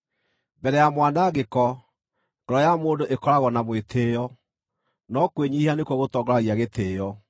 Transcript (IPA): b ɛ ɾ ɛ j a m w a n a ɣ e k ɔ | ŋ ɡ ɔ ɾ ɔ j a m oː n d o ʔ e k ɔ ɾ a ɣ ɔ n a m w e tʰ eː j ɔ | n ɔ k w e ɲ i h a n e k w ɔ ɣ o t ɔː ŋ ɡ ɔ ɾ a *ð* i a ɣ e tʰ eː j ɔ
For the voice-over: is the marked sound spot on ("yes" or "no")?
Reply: no